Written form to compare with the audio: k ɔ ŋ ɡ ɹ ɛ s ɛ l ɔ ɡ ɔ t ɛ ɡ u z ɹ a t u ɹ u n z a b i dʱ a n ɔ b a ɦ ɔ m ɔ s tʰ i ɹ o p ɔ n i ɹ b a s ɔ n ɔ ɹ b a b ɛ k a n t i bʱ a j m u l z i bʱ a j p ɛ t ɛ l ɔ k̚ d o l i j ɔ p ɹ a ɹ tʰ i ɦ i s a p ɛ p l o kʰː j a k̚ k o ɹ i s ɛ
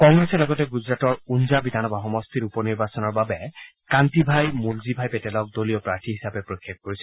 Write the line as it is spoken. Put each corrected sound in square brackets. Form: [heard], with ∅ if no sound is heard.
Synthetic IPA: k ɔ ŋ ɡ ɹ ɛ s ɛ l ɔ ɡ ɔ t ɛ ɡ u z ɹ a t [ɔ] ɹ u n z a b i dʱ a n ɔ b a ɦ ɔ m ɔ s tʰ i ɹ [u] p ɔ n i ɹ b a s ɔ n ɔ ɹ b a b ɛ k a n t i bʱ a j m u l z i bʱ a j p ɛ t ɛ l ɔ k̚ d o l i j ɔ p ɹ a ɹ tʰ i ɦ i s a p ɛ p [ɹ] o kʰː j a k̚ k o ɹ i s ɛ

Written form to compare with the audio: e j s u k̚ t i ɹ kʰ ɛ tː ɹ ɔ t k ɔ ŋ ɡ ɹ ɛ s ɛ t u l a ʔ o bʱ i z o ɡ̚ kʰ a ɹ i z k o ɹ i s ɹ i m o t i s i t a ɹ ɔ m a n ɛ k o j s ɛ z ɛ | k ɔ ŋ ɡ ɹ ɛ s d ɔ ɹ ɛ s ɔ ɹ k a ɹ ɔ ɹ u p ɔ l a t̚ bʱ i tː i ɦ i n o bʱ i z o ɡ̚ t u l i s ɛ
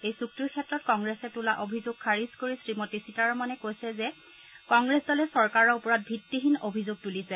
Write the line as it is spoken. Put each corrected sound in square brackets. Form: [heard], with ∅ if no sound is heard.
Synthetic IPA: e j s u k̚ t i ɹ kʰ ɛ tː ɹ ɔ t k ɔ ŋ ɡ ɹ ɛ s ɛ t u l a ʔ o bʱ i z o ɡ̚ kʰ a ɹ i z k o ɹ i s ɹ i m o t i s i t a ɹ ɔ m a n ɛ k o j s ɛ z ɛ | k ɔ ŋ ɡ ɹ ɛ s d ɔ [l] ɛ s ɔ ɹ k a ɹ ɔ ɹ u p ɔ [ɹ] a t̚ bʱ i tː i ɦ i n o bʱ i z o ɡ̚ t u l i s ɛ

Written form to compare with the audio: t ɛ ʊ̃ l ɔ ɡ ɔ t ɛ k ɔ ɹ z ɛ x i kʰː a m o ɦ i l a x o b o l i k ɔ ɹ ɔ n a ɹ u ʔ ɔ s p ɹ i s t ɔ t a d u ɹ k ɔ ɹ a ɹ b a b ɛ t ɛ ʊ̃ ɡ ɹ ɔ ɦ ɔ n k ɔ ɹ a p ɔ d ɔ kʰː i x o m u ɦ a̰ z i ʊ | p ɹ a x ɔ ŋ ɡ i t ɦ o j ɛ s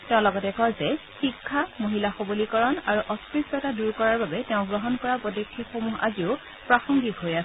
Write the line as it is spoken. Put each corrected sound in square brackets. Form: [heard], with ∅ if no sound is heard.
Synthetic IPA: t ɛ ʊ̃ l ɔ ɡ ɔ t ɛ k ɔ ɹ z ɛ x i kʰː a m o ɦ i l a x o b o l i k ɔ ɹ ɔ n a ɹ u ʔ ɔ s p ɹ i s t ɔ t a d u ɹ k ɔ ɹ a ɹ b a b ɛ t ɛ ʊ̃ ɡ ɹ ɔ ɦ ɔ n k ɔ ɹ a p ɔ d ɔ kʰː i x o m u ɦ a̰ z i ʊ | p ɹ a x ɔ ŋ ɡ i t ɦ o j [a] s

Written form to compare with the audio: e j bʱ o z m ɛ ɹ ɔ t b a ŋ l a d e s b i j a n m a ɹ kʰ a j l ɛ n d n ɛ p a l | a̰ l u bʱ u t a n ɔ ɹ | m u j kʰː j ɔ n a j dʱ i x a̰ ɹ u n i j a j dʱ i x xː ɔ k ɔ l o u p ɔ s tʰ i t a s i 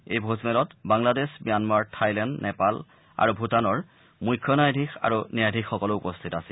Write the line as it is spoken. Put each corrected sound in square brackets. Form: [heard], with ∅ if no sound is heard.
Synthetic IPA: e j bʱ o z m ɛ [l] ɔ t b a ŋ l a d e s b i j a n m a ɹ [tʰ] a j l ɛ n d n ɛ p a l | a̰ [ɹ] u bʱ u t a n ɔ ɹ | m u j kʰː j ɔ n a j dʱ i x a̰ ɹ u n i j a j dʱ i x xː ɔ k ɔ l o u p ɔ s tʰ i t a s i

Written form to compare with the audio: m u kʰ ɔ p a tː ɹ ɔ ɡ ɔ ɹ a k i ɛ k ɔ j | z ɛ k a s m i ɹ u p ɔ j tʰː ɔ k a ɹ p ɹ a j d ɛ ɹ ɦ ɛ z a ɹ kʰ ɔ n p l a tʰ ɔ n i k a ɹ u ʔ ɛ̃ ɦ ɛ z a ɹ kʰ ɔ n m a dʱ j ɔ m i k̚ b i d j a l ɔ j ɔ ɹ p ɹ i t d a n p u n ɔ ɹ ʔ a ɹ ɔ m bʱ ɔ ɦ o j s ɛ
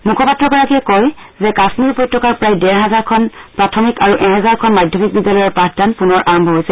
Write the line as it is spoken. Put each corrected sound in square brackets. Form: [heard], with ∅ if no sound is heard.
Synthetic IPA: m u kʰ ɔ p a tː ɹ ɔ ɡ ɔ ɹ a k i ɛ k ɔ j | z ɛ k a s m i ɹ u p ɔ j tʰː ɔ k a ɹ p ɹ a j d ɛ ɹ ɦ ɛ z a ɹ kʰ ɔ n p [ɹ] a tʰ ɔ [m] i k a ɹ u ʔ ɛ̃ ɦ ɛ z a ɹ kʰ ɔ n m a dʱ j ɔ m i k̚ b i d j a l ɔ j ɔ ɹ p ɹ [a] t d a n p u n ɔ ɹ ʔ a ɹ ɔ m bʱ ɔ ɦ o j s ɛ

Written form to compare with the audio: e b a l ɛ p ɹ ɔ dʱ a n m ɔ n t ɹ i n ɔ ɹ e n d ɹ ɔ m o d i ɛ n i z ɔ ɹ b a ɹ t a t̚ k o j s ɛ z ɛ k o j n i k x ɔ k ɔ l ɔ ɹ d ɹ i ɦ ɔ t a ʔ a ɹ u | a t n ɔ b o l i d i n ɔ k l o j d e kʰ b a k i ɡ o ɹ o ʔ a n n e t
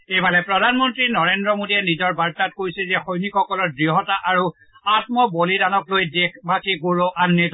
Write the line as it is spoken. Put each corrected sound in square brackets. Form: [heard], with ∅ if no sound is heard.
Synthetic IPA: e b a l ɛ p ɹ ɔ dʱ a n m ɔ n t ɹ i n ɔ ɹ e n d ɹ ɔ m o d i ɛ n i z ɔ ɹ b a ɹ t a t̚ k o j s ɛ z ɛ [x] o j n i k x ɔ k ɔ l ɔ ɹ d ɹ i ɦ ɔ t a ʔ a ɹ u | a t [m] ɔ b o l i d [a] n ɔ k l o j d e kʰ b a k i ɡ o ɹ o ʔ a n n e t

